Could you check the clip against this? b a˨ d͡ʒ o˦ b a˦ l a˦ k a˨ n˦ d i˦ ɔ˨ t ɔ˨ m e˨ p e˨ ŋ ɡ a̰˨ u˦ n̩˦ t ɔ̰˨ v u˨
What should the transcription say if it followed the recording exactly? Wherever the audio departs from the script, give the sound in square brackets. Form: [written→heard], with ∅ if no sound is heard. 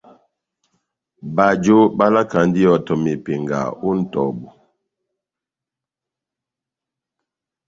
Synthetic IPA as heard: b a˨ d͡ʒ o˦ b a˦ l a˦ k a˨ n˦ d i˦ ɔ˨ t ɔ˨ m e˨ p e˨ ŋ ɡ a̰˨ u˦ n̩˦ t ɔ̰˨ [v→b] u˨